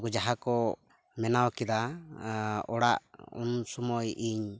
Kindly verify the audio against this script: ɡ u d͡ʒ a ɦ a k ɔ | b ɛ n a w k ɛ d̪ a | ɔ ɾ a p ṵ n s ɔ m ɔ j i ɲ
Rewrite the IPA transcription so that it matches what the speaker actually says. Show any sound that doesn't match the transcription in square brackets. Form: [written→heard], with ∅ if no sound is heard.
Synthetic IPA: ɡ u d͡ʒ a ɦ a k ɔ | [b→m] ɛ n a w k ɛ d̪ a | ɔ [ɾ→ɽ] a [p→ʔ] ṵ n s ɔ m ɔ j i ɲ